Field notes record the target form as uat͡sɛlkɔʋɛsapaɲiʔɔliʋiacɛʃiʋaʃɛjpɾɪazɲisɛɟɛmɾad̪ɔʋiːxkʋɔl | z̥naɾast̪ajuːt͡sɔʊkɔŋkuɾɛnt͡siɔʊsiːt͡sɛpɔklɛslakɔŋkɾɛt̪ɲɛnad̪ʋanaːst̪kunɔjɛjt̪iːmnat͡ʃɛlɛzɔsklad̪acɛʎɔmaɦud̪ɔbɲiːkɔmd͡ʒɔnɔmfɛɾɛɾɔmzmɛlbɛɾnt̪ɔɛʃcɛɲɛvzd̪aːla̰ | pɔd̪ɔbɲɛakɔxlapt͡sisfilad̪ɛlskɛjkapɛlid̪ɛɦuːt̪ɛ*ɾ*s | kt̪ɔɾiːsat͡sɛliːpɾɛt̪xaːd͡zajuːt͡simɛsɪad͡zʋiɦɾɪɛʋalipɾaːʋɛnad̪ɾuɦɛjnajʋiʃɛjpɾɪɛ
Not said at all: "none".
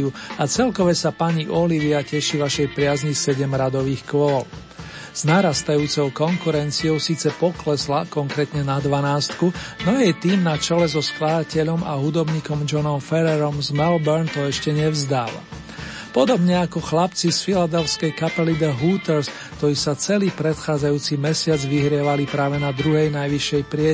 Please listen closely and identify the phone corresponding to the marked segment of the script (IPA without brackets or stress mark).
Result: ɾ